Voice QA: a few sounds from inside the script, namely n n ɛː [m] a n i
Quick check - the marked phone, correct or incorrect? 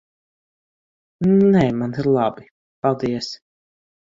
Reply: correct